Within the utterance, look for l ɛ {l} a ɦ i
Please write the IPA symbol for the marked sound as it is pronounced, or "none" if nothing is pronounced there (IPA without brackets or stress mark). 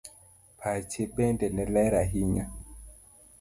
ɾ